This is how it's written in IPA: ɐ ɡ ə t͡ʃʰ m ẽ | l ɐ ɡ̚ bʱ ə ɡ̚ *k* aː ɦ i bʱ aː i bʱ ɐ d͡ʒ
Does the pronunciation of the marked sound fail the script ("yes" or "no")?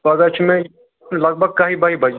no